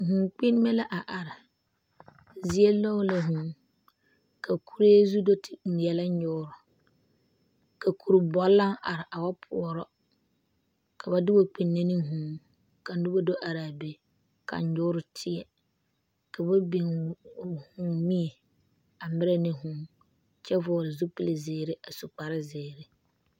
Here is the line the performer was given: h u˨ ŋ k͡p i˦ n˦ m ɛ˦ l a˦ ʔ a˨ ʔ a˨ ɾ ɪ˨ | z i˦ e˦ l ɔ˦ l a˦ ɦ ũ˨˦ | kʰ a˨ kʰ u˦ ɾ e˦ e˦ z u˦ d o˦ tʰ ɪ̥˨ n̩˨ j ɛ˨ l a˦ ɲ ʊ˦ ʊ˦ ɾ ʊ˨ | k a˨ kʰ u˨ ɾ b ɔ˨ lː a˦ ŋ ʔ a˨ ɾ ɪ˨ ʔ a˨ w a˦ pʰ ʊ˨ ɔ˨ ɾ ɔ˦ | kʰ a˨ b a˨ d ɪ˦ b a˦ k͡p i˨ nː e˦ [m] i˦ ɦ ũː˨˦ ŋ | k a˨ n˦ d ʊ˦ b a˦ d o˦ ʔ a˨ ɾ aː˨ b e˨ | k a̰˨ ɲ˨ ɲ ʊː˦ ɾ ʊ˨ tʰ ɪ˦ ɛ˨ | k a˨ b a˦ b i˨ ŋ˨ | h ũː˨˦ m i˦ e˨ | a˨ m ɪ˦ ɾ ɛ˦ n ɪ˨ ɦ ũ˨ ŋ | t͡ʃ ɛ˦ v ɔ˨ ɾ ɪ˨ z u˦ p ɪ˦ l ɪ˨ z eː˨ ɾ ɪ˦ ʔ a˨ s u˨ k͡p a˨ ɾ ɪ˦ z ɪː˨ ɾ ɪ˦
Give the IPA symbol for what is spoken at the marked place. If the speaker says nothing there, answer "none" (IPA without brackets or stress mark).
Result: n